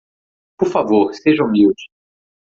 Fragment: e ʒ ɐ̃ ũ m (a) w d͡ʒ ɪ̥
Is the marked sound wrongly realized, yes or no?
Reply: yes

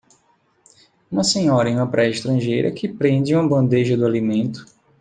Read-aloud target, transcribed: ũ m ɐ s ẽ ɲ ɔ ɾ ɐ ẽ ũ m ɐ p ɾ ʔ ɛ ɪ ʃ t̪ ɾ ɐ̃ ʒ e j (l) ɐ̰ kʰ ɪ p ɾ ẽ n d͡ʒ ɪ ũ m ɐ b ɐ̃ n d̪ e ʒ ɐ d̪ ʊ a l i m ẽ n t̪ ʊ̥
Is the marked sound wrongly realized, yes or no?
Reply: yes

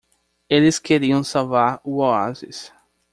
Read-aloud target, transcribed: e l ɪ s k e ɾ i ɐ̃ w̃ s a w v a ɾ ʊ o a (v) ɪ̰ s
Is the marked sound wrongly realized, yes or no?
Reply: yes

